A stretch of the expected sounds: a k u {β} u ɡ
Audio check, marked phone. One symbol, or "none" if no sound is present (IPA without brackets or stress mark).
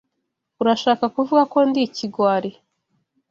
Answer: v